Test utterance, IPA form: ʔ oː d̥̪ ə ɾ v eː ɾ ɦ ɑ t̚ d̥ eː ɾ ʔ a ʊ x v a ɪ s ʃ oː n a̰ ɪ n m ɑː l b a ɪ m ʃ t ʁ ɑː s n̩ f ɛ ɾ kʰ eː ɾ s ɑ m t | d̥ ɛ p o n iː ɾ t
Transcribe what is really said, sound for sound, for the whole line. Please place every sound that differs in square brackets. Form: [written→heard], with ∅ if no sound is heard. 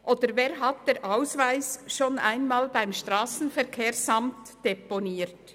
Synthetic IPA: ʔ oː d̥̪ ə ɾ v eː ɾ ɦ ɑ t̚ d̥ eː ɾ ʔ a ʊ [x→s] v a ɪ s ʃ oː n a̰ ɪ n m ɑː l b a ɪ m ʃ t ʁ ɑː s n̩ f ɛ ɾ kʰ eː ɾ s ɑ m t | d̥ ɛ p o n iː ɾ t